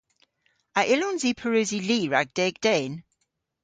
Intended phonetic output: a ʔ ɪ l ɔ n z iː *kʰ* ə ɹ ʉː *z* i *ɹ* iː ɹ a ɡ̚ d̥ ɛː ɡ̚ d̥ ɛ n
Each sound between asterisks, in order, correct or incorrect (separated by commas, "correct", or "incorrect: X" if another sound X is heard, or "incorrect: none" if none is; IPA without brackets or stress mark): incorrect: pʰ, correct, incorrect: l